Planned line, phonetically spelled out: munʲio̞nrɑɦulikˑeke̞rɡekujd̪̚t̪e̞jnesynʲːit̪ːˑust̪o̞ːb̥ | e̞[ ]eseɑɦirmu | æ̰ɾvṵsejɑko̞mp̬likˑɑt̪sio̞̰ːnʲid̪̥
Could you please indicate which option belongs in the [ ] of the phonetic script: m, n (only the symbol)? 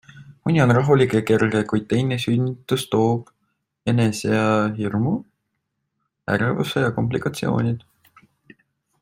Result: n